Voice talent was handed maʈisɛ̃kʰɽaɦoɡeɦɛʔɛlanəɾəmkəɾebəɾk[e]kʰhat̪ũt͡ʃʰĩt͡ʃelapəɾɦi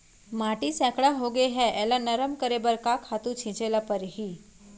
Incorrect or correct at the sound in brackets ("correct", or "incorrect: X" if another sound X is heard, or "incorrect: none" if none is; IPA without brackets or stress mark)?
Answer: incorrect: a